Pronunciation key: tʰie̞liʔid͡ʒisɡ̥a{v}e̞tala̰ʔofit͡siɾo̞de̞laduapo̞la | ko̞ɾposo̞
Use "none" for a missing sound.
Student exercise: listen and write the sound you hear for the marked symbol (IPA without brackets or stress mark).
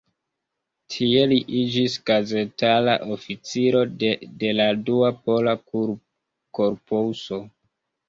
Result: z